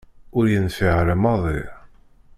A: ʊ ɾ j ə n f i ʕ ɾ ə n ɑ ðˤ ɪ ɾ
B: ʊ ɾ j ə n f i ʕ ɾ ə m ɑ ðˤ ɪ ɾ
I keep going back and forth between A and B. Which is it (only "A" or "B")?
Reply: B